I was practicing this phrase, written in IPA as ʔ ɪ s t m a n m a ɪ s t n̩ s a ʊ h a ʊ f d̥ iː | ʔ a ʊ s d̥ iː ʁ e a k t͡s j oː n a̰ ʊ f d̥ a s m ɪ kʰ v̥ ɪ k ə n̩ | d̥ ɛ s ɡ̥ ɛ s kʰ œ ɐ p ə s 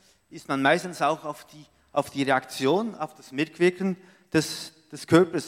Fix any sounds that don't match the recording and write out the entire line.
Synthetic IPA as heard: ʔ ɪ s t m a n m a ɪ s t n̩ s a ʊ x a ʊ f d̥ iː | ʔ a ʊ f d̥ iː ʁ e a k t͡s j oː n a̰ ʊ f d̥ a s m ɪ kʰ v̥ ɪ k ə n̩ | d̥ ɛ s d̥ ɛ s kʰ œ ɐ p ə s